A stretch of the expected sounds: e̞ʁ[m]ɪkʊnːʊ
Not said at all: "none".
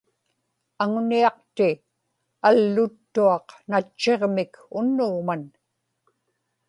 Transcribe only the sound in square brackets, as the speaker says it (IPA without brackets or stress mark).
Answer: m